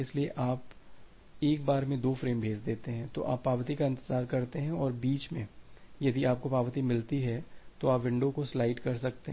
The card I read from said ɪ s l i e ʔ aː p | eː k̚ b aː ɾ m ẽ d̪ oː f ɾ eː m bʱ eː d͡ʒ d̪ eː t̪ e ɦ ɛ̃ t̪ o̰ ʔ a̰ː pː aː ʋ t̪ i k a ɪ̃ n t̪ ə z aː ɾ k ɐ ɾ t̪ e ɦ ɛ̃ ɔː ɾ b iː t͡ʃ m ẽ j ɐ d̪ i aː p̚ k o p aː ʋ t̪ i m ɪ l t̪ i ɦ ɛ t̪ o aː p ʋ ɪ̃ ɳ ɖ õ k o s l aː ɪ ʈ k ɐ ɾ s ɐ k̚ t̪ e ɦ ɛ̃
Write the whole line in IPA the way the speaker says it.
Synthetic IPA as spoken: ɪ s l i e ʔ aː p | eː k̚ b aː ɾ m ẽ d̪ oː f ɾ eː m bʱ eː d͡ʒ d̪ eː t̪ e ɦ ɛ̃ t̪ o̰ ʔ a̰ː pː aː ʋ t̪ i k a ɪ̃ n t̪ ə z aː ɾ k ɐ ɾ t̪ e ɦ ɛ̃ ɔː ɾ b iː t͡ʃ m ẽ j ɐ d̪ i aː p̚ k o p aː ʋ t̪ i m ɪ l t̪ i ɦ ɛ t̪ o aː p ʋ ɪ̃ ɳ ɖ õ k o s l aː ɪ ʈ k ɐ ɾ s ɐ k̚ t̪ e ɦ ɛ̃